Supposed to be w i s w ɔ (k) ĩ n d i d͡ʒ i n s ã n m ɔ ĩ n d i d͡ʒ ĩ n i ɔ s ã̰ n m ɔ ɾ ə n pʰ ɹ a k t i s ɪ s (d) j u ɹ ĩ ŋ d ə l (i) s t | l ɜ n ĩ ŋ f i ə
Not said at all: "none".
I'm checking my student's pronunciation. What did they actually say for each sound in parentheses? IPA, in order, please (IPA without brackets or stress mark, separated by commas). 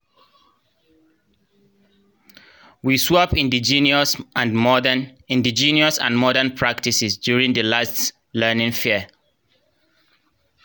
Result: p, d, a